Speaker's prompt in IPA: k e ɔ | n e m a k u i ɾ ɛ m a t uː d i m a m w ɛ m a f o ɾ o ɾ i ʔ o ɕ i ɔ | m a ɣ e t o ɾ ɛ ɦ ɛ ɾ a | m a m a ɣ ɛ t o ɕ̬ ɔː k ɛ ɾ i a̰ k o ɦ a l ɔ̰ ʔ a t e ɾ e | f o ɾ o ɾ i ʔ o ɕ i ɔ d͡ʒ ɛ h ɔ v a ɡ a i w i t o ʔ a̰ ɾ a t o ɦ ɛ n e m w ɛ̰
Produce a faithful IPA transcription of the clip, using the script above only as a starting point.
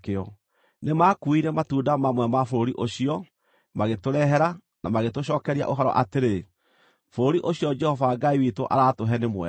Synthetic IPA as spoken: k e ɔ | n e m a k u i ɾ ɛ m a t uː d a m a m w ɛ m a f o ɾ o ɾ i ʔ o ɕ i ɔ | m a ɣ e t o ɾ ɛ ɦ ɛ ɾ a | n a m a ɣ e t o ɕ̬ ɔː k ɛ ɾ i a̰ ʔ o ɦ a ɾ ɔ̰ ʔ a t e ɾ e | f o ɾ o ɾ i ʔ o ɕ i ɔ d͡ʒ ɛ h ɔ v a ɡ a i w i t o ʔ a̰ ɾ a t o ɦ ɛ n e m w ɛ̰